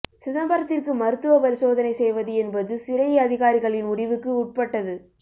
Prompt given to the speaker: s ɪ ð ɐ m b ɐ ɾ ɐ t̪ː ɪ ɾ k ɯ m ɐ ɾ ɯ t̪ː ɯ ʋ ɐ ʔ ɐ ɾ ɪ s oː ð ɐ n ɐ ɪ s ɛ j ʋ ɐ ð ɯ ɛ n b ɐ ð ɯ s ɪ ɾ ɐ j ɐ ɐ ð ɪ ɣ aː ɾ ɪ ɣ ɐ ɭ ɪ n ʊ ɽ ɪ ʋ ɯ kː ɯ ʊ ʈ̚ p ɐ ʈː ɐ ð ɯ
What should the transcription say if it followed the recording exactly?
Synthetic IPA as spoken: s ɪ ð ɐ m b ɐ ɾ ɐ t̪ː ɪ r k ɯ m ɐ ɾ ɯ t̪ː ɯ ʋ ɐ p ɐ ɾ ɪ s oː ð ɐ n ɐ ɪ s ɛ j ʋ ɐ ð ɯ ɛ n b ɐ ð ɯ s ɪ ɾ ɐ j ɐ ɐ ð ɪ ɣ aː ɾ ɪ ɣ ɐ ɭ ɪ n ʊ ɽ ɪ ʋ ɯ kː ɯ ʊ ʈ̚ p ɐ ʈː ɐ ð ɯ